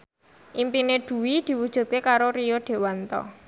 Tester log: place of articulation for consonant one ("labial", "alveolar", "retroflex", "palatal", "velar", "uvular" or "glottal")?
glottal